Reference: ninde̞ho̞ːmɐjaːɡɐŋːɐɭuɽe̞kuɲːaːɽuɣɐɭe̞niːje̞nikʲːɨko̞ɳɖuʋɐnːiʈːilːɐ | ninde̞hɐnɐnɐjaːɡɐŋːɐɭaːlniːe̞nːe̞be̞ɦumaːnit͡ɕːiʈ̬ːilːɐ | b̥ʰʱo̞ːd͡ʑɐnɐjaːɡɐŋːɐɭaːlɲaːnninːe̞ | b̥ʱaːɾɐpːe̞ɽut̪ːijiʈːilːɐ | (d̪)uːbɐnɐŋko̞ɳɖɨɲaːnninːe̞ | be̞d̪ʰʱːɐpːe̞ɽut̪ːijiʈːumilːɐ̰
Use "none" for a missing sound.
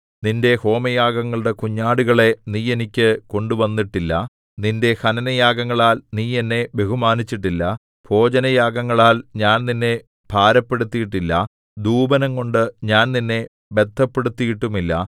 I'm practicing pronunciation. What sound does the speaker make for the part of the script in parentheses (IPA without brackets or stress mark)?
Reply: d̪